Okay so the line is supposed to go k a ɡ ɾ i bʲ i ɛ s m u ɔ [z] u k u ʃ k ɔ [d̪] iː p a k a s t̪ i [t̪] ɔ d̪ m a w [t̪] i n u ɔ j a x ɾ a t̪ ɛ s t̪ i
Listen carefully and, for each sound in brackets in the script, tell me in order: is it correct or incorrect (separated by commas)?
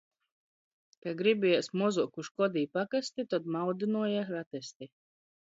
correct, correct, correct, incorrect